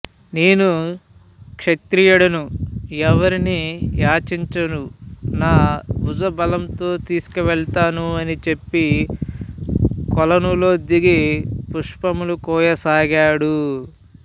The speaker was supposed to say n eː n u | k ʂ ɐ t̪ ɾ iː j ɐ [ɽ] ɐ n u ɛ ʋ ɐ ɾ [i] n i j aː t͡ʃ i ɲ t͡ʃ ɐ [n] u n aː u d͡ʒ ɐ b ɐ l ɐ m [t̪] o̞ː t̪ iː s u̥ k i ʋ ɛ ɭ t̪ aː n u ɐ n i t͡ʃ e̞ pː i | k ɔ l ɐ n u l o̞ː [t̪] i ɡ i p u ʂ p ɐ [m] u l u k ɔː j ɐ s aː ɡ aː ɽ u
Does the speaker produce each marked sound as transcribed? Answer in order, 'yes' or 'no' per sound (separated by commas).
yes, yes, yes, yes, no, yes